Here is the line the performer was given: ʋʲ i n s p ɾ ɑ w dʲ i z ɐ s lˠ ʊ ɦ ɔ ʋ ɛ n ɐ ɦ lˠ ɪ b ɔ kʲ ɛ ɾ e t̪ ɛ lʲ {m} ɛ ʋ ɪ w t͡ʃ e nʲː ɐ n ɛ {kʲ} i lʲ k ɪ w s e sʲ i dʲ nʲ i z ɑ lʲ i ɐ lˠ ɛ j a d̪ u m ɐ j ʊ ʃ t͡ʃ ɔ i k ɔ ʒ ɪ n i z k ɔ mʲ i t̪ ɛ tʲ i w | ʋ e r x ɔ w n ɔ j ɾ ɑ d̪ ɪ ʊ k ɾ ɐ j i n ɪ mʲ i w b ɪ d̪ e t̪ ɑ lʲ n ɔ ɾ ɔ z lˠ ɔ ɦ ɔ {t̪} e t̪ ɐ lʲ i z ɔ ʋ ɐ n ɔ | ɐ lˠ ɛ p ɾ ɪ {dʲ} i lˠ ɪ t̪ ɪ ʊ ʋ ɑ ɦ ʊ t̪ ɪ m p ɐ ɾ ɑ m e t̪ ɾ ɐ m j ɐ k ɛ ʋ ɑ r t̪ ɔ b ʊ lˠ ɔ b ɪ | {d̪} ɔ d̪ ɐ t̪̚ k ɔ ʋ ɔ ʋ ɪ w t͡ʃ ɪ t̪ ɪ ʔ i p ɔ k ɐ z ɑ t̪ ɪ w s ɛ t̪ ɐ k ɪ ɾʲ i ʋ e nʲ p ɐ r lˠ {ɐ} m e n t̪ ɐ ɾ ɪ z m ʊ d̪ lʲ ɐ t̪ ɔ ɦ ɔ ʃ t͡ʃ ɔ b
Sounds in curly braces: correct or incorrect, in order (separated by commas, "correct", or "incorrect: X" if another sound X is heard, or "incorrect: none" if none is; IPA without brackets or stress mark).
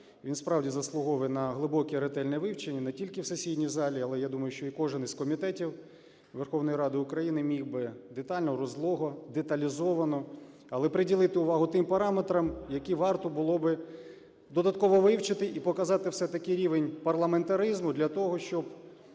incorrect: n, incorrect: tʲ, incorrect: d̪, correct, correct, correct